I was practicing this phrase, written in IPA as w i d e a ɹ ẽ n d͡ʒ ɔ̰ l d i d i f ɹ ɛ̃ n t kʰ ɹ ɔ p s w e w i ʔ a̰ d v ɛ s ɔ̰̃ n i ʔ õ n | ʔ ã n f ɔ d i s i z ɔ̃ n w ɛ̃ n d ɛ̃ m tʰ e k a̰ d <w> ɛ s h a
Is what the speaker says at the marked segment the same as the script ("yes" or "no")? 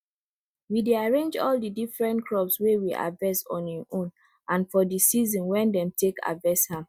no